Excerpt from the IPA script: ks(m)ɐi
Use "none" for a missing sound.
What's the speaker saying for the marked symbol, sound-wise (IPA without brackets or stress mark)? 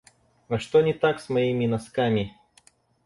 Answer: m